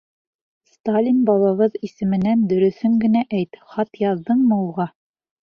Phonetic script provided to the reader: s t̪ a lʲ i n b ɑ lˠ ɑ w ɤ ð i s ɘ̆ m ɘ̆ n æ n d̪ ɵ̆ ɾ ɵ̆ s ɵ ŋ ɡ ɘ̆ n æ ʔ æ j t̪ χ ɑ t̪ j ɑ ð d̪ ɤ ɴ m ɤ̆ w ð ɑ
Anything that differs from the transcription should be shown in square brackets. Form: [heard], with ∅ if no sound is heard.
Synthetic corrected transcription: s t̪ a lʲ i n b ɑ lˠ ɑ [β] ɤ ð i s ɘ̆ m ɘ̆ n æ n d̪ ɵ̆ ɾ ɵ̆ [θ] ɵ ŋ ɡ ɘ̆ n æ ʔ æ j t̪ χ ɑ t̪ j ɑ ð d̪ ɤ ɴ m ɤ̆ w [ʁ] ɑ